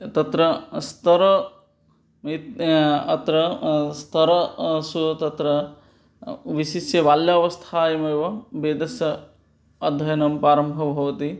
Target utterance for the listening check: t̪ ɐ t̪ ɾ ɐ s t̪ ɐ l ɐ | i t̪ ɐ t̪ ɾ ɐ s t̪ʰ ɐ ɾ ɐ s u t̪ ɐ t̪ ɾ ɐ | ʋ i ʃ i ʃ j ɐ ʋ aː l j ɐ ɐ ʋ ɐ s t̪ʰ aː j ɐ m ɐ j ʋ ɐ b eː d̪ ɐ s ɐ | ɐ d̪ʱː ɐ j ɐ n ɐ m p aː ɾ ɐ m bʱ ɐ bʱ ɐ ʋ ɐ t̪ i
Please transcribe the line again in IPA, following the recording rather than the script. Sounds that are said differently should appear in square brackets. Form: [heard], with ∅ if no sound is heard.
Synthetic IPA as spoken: t̪ ɐ t̪ ɾ ɐ s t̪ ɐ [ɾ] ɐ | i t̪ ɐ t̪ ɾ ɐ s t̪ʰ ɐ ɾ ɐ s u t̪ ɐ t̪ ɾ ɐ | ʋ i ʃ i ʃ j ɐ ʋ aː l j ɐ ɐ ʋ ɐ s t̪ʰ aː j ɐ m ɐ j ʋ ɐ b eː d̪ ɐ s ɐ | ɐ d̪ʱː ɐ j ɐ n ɐ m p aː ɾ ɐ m bʱ ɐ bʱ ɐ ʋ ɐ t̪ i

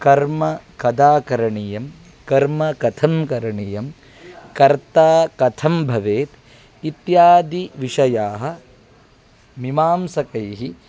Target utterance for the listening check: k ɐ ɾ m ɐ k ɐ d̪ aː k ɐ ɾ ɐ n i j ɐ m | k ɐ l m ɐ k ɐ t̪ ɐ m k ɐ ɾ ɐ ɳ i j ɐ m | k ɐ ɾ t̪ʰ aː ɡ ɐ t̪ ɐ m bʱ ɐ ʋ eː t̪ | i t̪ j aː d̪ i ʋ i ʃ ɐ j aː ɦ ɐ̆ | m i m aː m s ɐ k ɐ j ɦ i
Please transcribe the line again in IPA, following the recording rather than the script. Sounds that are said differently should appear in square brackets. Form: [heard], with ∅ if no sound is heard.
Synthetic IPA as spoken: k ɐ ɾ m ɐ k ɐ d̪ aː k ɐ ɾ ɐ [ɳ] i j ɐ m | k ɐ [ɾ] m ɐ k ɐ [t̪ʰ] ɐ m k ɐ ɾ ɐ ɳ i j ɐ m | k ɐ ɾ [t̪] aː [k] ɐ [t̪ʰ] ɐ m bʱ ɐ ʋ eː t̪ | i t̪ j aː d̪ i ʋ i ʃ ɐ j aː ɦ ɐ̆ | m i m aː m s ɐ k ɐ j ɦ i

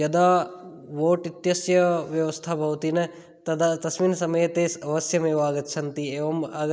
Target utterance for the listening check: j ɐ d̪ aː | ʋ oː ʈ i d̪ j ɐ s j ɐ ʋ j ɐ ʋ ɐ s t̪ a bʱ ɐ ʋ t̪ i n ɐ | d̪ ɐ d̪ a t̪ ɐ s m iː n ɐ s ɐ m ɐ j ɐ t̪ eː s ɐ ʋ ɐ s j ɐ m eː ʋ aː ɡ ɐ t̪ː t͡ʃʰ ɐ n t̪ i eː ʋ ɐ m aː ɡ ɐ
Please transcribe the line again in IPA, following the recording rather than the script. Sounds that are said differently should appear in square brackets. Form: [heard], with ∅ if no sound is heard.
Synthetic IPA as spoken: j ɐ d̪ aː | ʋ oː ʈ i [t̪] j ɐ s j ɐ ʋ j ɐ ʋ ɐ s [t̪ʰ] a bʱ ɐ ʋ t̪ i n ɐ | [t̪] ɐ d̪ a t̪ ɐ s m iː n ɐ s ɐ m ɐ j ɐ t̪ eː s ɐ ʋ ɐ s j ɐ m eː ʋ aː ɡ ɐ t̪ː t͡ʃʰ ɐ n t̪ i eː ʋ ɐ m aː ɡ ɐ

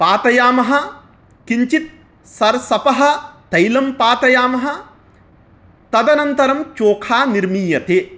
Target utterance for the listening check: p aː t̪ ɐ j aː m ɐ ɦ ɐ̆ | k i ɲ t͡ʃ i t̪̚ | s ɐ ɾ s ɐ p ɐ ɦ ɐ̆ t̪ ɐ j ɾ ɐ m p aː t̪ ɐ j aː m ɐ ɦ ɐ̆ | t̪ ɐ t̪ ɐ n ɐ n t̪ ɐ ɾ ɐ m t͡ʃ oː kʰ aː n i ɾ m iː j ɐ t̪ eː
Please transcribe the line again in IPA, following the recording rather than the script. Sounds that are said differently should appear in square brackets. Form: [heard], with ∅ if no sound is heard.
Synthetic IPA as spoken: p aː t̪ ɐ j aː m ɐ ɦ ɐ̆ | k i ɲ t͡ʃ i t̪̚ | s ɐ ɾ s ɐ p ɐ ɦ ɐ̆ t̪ ɐ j [l] ɐ m p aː t̪ ɐ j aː m ɐ ɦ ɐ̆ | t̪ ɐ [d̪] ɐ n ɐ n t̪ ɐ ɾ ɐ m t͡ʃ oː kʰ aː n i ɾ m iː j ɐ t̪ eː

